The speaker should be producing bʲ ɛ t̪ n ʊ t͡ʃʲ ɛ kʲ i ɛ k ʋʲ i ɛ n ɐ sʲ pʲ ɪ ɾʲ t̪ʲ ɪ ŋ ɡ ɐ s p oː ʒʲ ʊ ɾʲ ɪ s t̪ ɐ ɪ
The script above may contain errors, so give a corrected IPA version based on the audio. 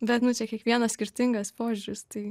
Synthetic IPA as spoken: bʲ ɛ t̪ n ʊ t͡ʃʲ ɛ kʲ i ɛ k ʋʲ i ɛ n ɐ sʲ kʲ ɪ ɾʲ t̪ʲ ɪ ŋ ɡ ɐ s p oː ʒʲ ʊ ɾʲ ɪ s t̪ ɐ ɪ